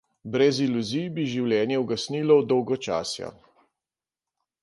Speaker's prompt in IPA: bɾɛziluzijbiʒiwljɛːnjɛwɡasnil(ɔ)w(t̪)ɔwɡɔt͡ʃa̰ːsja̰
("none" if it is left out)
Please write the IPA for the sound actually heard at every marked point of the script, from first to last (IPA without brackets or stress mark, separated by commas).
ɔ, d̪